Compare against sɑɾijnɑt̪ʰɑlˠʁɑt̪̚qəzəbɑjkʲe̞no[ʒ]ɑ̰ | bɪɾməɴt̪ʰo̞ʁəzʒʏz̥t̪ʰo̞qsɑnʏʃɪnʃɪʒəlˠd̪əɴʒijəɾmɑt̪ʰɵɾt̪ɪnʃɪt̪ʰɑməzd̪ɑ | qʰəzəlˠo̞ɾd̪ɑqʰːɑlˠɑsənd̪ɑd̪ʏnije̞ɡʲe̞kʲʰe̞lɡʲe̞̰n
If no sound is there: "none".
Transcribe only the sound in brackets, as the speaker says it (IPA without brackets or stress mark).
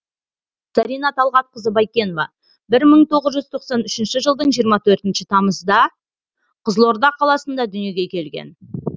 v